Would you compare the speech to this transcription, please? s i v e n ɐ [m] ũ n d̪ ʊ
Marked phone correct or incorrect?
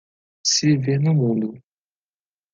correct